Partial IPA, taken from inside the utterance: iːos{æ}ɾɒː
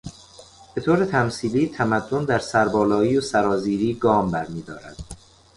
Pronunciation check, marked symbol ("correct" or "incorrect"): correct